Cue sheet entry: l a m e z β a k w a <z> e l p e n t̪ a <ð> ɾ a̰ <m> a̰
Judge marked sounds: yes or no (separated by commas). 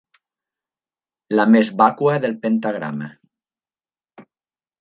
no, no, yes